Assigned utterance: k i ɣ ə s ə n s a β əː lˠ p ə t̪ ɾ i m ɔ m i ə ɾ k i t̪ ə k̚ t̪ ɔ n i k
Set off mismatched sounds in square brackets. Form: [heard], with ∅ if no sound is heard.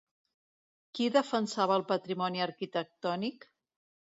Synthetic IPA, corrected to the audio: k i [ð] ə [f] ə n s a β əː lˠ p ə t̪ ɾ i m ɔ [n] i ə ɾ k i t̪ ə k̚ t̪ ɔ n i k